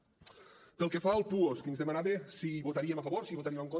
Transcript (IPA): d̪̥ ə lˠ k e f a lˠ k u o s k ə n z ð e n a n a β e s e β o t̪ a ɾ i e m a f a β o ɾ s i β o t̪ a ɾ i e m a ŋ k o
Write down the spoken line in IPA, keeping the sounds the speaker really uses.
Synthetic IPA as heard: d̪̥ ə lˠ k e f a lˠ p u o s k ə n z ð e m a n a β e s i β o t̪ a ɾ i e m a f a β o ɾ s i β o t̪ a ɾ i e m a ŋ k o

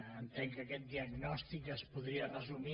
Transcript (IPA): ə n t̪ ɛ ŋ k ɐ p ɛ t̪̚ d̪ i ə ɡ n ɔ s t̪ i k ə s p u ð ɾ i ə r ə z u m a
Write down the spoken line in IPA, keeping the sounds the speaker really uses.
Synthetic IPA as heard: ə n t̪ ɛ ŋ k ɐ k ɛ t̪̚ d̪ i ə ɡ n ɔ s t̪ i k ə s p u ð ɾ i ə r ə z u m i

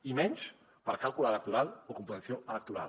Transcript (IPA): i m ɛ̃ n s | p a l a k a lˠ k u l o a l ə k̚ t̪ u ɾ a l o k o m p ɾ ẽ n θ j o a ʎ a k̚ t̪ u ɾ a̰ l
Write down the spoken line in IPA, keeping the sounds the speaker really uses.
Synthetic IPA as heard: i m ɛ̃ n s | p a ɾ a k a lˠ k u l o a l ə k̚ t̪ u ɾ a l o k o m p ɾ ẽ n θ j o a l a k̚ t̪ u ɾ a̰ l

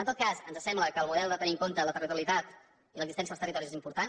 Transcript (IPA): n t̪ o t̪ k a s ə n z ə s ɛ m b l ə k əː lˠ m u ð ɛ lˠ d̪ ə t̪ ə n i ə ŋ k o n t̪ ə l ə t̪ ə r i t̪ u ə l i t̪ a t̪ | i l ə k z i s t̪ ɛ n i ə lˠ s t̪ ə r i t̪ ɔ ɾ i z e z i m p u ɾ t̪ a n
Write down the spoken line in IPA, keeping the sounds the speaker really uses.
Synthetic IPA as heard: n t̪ o t̪ k a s ə n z ə s ɛ m b l ə k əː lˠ m u ð ɛ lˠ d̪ ə t̪ ə n i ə ŋ k o n t̪ ə l ə t̪ ə r i t̪ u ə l i t̪ a t̪ | i l ə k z i s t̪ ɛ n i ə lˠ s t̪ ə r i t̪ ɔ ɾ i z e z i m p u ɾ t̪ a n

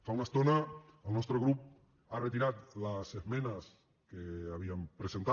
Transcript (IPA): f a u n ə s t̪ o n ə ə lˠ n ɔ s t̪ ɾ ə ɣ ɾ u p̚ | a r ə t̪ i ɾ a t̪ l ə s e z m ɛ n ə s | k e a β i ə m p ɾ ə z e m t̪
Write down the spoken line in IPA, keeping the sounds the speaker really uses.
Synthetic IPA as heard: f a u n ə s t̪ o n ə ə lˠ n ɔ s t̪ ɾ ə ɣ ɾ u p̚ | a r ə t̪ i ɾ a t̪ l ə s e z m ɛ n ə s | k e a β i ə m p ɾ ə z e n t̪

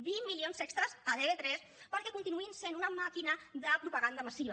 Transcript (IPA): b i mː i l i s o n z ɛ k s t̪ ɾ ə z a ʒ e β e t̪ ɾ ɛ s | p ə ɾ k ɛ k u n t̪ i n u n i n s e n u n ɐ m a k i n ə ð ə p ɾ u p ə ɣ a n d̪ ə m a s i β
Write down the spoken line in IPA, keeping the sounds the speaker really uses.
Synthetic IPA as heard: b i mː i l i o n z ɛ k s t̪ ɾ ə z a ð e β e t̪ ɾ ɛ s | p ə ɾ k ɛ k u n t̪ i n u i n s e n u n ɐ m a k i n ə ð ə p ɾ u p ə ɣ a n d̪ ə m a s i β

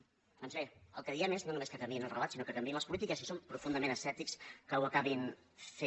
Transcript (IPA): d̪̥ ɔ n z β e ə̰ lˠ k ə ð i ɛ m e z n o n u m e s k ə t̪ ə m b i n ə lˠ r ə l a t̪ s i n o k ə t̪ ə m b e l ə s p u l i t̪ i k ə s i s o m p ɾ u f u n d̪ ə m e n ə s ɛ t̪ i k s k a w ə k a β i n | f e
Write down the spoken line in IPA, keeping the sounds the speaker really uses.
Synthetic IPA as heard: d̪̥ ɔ n z β e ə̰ lˠ k ə ð i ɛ m e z n o n u m e s k ə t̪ ə m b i n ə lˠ r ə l a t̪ s i n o k ə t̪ ə m b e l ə s p u l i t̪ i k ə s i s o m p ɾ u f u n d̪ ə m e n ə s ɛ t̪ i k s k ə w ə k a β i n | f e

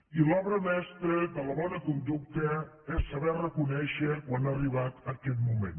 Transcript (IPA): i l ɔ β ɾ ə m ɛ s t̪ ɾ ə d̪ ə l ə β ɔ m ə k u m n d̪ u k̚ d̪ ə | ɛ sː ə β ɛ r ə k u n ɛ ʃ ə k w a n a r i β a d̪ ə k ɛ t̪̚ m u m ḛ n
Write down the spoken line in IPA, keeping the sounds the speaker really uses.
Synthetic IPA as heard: i l ɔ β ɾ ə m ɛ s t̪ ɾ ə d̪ ə l ə β ɔ n ə k u n d̪ u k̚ t̪ ə | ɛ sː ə β ɛ r ə k u n ɛ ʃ ə k w a n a r i β a t̪ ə k ɛ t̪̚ m u m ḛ n

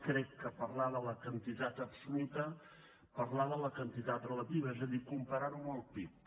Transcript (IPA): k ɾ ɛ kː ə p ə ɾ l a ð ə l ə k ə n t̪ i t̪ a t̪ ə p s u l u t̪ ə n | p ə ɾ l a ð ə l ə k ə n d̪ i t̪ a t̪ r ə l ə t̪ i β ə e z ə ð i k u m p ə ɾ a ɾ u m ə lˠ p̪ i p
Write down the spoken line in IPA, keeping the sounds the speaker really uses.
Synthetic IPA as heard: k ɾ ɛ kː ə p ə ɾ l a ð ə l ə k ə n t̪ i t̪ a t̪ ə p s u l u t̪ ə | p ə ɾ l a ð ə l ə k ə n t̪ i t̪ a t̪ r ə l ə t̪ i β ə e z ə ð i k u m p ə ɾ a ɾ u m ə lˠ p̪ i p

